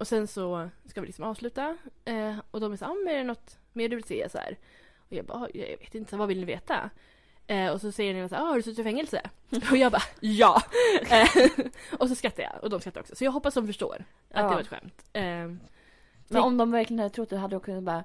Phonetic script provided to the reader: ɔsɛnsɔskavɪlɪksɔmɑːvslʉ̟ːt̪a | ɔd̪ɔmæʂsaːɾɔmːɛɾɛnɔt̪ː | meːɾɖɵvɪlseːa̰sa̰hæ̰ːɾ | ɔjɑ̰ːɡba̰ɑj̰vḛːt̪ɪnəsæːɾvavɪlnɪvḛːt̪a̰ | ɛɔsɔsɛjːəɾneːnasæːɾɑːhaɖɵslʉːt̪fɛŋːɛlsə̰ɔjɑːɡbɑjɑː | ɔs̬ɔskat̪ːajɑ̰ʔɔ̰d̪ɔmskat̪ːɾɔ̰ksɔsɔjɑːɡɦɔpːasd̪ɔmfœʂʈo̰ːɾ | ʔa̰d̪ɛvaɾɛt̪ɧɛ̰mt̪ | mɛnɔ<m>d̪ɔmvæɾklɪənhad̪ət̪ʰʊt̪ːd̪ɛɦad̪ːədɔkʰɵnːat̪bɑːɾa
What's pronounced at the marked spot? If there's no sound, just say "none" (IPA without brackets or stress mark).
m